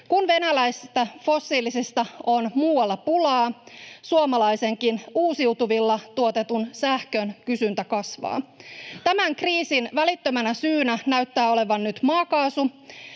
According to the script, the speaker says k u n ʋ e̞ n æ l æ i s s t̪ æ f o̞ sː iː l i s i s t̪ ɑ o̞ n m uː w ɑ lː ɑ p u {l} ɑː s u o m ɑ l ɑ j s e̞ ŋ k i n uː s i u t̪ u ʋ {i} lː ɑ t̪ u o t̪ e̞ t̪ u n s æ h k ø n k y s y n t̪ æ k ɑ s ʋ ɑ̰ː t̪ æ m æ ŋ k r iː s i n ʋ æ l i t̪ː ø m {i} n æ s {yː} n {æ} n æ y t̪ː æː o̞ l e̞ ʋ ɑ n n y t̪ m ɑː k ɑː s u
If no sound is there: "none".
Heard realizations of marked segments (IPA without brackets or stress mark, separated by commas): l, i, æ, yː, æ